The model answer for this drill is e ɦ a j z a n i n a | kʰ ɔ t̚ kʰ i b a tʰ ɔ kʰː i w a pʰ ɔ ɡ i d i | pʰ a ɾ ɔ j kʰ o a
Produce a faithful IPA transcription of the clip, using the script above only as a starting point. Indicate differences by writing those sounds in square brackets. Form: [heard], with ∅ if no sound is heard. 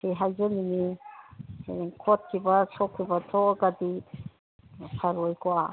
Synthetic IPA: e ɦ a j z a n i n [i] | kʰ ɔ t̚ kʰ i b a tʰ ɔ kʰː i [b] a [tʰ] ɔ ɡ [a] d i | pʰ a ɾ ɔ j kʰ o a